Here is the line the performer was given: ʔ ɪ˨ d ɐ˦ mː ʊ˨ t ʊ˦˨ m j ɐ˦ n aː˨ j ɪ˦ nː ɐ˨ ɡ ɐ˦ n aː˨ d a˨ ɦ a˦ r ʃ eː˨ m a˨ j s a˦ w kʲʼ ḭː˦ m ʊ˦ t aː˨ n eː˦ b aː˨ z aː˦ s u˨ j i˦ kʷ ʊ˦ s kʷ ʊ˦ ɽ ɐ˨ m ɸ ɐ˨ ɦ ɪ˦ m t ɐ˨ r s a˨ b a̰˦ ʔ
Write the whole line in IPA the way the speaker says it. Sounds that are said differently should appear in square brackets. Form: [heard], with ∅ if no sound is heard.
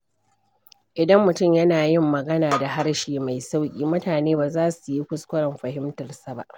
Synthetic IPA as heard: ʔ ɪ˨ d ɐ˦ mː ʊ˨ t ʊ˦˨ m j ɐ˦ n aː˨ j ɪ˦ [mː] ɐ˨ ɡ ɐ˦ n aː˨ d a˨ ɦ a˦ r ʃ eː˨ m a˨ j s a˦ w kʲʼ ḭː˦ m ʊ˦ t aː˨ n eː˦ b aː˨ z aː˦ s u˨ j i˦ kʷ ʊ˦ s kʷ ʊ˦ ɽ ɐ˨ m ɸ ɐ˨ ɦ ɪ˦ m t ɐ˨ r s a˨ b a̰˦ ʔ